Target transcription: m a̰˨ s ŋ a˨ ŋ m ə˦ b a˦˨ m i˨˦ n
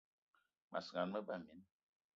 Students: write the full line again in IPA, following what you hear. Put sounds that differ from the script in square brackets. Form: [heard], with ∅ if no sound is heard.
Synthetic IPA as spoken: m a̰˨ s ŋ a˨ [n] m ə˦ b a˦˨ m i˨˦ n